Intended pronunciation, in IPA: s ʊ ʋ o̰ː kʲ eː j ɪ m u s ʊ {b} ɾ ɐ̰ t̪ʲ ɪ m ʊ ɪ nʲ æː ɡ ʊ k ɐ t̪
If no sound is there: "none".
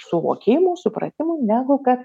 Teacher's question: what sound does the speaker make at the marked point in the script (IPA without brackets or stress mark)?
p